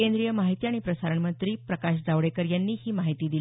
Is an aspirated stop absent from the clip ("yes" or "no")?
yes